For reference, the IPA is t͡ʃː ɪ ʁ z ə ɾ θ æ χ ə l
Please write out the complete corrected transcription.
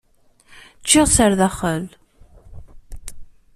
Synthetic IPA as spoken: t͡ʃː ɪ ʁ s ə ɾ ð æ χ ə l